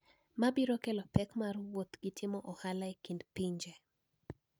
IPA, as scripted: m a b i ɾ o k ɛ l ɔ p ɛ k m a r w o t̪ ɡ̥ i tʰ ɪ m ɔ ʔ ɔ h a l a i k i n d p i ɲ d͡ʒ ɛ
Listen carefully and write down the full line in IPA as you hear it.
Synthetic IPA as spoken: m a b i ɾ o k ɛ l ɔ p ɛ k m a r w o t̪ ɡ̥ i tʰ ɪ m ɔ ʔ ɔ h a l a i k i n d p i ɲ d͡ʒ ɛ

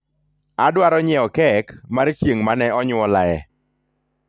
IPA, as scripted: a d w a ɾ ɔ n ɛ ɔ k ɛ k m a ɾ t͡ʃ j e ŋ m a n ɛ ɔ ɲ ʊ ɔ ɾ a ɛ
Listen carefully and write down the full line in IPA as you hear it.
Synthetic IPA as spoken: a d w a ɾ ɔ ɲ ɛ ɔ k ɛ k m a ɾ t͡ʃ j e ŋ m a n ɛ ɔ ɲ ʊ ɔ l a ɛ

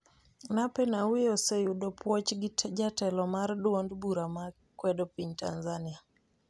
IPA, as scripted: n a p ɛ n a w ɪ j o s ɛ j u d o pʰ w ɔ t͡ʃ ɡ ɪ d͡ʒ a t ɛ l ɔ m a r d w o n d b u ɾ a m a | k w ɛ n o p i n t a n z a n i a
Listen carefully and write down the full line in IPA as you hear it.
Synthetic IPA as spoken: n a p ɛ n a w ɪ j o s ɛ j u d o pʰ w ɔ t͡ʃ ɡ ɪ d͡ʒ a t ɛ l ɔ m a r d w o n d b u ɾ a m a | k w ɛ d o p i ɲ t a n z a n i a

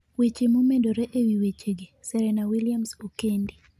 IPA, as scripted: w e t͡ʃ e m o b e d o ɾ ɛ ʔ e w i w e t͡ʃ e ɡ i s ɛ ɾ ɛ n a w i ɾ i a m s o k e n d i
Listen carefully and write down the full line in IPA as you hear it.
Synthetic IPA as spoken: w e t͡ʃ e m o m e d o ɾ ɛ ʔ e w i w e t͡ʃ e ɡ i s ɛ ɾ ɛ n a w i l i a m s o k e n d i

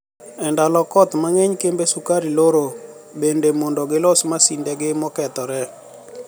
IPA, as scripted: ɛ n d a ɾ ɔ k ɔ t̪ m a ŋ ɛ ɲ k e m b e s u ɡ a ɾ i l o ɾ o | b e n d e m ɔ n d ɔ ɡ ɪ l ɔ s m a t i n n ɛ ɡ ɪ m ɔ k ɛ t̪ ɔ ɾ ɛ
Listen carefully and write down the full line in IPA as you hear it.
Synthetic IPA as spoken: ɛ n d a l ɔ k ɔ t̪ m a ŋ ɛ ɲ k e m b e s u k a ɾ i l o ɾ o | b e n d e m ɔ n d ɔ ɡ ɪ l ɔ s m a s i n d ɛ ɡ ɪ m ɔ k ɛ t̪ ɔ ɾ ɛ

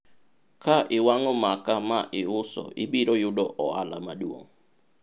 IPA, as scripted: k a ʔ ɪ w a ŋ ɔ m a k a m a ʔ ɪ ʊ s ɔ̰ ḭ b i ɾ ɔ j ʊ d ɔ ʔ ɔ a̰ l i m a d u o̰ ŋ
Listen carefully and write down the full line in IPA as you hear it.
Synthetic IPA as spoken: k a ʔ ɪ w a ŋ ɔ m a k a m a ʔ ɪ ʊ s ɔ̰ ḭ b i ɾ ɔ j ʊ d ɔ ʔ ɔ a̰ l a m a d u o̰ ŋ

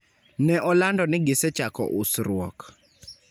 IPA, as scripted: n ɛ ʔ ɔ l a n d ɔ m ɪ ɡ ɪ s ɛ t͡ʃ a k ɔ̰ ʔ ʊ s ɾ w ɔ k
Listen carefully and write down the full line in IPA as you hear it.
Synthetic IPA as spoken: n ɛ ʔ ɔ l a n d ɔ n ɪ ɡ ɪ s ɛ t͡ʃ a k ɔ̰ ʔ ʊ s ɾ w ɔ k

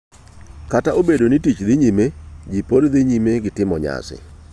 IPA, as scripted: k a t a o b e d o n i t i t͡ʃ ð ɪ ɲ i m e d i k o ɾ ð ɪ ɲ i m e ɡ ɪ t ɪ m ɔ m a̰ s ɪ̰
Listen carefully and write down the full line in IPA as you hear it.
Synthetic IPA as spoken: k a t a o b e d o n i t i t͡ʃ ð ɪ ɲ i m e d͡ʒ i p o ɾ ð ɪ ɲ i m e ɡ ɪ t ɪ m ɔ ɲ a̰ s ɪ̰

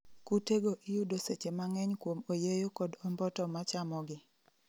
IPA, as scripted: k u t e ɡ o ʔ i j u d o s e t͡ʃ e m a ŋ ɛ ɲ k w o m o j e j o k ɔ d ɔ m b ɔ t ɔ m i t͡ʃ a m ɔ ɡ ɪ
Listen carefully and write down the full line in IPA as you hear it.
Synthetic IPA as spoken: k u t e ɡ o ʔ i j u d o s e t͡ʃ e m a ŋ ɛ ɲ k w o m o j e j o k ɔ d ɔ m b ɔ t ɔ m a t͡ʃ a m ɔ ɡ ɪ

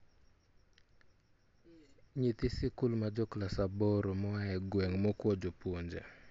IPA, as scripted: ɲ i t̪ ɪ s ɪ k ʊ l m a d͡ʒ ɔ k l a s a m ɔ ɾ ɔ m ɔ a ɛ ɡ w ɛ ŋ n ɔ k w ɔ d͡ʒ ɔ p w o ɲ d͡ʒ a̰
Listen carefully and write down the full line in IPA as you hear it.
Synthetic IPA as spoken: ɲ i t̪ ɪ s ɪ k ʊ l m a d͡ʒ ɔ k l a s a b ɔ ɾ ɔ m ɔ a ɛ ɡ w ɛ ŋ m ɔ k w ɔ d͡ʒ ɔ p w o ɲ d͡ʒ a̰

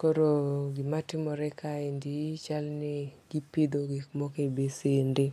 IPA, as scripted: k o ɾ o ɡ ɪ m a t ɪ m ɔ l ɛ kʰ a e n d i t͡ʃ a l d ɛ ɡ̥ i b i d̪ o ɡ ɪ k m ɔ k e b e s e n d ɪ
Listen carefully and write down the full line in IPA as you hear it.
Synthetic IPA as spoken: k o ɾ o ɡ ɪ m a t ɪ m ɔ ɾ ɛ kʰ a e n d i t͡ʃ a l n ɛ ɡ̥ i p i d̪ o ɡ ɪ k m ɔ k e b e s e n d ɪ

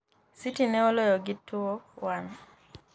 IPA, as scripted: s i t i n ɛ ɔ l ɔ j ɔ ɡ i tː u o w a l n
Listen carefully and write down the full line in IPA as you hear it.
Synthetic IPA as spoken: s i t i n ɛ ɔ l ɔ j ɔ ɡ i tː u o w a n

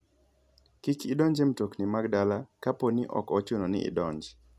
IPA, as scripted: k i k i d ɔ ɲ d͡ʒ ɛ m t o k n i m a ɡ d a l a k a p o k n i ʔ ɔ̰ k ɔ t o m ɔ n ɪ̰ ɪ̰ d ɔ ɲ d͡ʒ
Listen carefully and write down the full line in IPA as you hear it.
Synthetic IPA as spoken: k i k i d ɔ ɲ d͡ʒ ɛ m t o k n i m a ɡ d a l a k a p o n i ʔ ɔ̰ k ɔ t͡ʃ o n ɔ n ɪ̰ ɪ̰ d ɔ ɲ d͡ʒ

